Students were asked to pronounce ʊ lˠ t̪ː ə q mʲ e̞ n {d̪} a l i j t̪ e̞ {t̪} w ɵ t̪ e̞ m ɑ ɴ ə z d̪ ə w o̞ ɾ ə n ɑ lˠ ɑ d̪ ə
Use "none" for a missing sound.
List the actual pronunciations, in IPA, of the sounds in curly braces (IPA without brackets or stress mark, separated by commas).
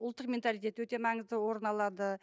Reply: t̪, t̪